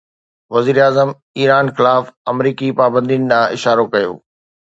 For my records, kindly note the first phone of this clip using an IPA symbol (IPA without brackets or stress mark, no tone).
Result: ʋ